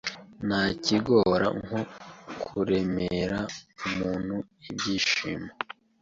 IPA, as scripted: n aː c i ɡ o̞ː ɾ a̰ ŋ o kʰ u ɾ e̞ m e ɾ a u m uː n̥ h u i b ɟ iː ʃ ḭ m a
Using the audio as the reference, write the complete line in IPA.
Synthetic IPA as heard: n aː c i ɡ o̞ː ɾ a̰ ŋ o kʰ u ɾ e̞ m e ɾ a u m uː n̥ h u i b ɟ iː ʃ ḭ m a